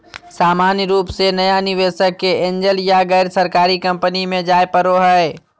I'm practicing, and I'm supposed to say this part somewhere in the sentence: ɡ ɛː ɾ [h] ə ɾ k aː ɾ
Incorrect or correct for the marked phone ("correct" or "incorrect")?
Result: incorrect